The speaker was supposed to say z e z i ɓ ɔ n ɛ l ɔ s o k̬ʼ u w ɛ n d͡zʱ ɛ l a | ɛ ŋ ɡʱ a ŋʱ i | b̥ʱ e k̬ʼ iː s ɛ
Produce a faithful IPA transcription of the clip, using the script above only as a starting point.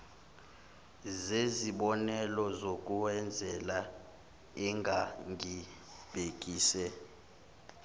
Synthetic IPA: z e z i ɓ ɔ n ɛ l ɔ z o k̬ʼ u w ɛ n d͡zʱ ɛ l a | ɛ ŋ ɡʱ a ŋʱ i | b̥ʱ e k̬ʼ iː s ɛ